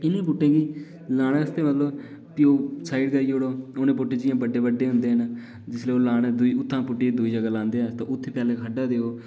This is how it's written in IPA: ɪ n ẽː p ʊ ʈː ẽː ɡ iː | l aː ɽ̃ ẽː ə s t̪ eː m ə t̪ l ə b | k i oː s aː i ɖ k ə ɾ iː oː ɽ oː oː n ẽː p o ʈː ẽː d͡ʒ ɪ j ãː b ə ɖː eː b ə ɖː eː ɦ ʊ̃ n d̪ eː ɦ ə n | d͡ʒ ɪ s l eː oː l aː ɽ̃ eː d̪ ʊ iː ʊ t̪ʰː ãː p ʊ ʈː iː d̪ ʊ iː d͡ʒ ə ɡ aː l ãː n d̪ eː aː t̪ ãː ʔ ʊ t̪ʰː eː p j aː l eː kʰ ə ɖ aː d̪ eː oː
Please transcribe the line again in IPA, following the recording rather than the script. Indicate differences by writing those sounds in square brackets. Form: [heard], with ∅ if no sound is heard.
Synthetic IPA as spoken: ɪ n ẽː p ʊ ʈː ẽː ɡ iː | l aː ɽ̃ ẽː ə s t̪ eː m ə t̪ l ə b | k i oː s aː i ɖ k ə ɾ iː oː ɽ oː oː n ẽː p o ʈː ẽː d͡ʒ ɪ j ãː b ə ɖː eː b ə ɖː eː ɦ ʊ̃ n d̪ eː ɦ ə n | d͡ʒ ɪ s l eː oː l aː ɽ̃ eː d̪ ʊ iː ʊ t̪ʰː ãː p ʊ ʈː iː d̪ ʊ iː d͡ʒ ə ɡ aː l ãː n d̪ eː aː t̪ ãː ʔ ʊ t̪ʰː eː p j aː l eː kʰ ə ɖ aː d̪ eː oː